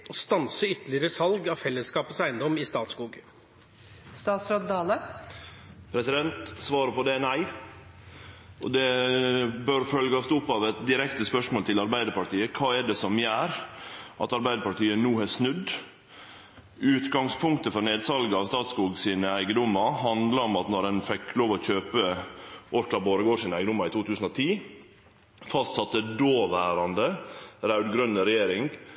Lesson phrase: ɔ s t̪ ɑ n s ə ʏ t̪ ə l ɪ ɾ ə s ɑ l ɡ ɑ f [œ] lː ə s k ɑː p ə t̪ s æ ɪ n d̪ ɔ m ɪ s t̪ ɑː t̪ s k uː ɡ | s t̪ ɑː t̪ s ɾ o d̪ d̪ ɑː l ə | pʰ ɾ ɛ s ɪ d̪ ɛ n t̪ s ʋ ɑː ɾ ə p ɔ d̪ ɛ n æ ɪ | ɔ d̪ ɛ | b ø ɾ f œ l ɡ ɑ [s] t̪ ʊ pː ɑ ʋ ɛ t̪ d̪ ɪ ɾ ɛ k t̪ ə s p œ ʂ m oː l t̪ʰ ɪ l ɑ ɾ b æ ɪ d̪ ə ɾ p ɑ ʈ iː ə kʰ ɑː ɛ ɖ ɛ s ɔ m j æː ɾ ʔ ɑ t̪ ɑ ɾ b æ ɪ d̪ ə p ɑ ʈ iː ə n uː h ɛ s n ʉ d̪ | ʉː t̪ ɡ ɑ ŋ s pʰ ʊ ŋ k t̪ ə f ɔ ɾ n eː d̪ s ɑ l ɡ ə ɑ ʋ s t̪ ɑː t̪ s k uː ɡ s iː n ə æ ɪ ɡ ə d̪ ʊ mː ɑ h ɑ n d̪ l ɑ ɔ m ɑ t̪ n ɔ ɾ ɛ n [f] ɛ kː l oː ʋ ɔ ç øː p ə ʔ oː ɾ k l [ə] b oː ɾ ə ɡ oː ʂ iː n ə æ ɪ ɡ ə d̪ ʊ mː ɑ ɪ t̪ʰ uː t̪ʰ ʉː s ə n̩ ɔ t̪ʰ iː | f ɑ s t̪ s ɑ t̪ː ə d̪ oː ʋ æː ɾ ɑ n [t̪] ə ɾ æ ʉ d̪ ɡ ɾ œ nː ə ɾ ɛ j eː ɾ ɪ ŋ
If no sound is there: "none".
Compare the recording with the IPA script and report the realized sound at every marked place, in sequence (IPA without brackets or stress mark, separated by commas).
ɛ, s, f, ɑ, d̪